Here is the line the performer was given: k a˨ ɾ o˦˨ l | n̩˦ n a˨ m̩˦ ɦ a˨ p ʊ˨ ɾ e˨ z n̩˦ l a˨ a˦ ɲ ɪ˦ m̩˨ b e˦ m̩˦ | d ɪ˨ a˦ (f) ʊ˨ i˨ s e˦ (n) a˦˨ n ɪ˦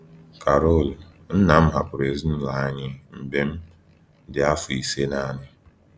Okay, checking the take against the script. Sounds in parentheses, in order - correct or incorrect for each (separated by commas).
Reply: correct, correct